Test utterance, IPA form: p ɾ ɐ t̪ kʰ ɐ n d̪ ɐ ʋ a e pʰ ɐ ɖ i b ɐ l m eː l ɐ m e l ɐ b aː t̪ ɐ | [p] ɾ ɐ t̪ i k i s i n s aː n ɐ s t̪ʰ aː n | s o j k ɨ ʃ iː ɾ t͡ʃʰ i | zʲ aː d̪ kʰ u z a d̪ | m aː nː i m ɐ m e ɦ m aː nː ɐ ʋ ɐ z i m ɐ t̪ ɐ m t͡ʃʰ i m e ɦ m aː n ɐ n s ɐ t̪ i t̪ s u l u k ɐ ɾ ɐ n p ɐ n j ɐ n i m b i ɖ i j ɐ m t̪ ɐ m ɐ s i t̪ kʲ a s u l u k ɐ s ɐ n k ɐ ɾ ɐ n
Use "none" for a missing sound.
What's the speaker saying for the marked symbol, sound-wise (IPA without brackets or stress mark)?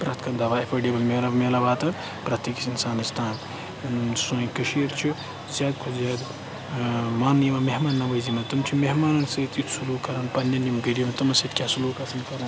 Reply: p